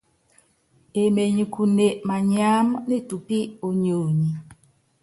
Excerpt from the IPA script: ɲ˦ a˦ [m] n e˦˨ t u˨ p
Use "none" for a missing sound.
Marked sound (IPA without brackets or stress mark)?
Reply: m